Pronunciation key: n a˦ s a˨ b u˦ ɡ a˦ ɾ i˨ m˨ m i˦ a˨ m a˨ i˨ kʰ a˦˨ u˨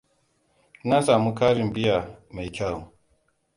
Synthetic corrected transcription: n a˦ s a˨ m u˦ k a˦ ɾ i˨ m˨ b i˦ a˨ m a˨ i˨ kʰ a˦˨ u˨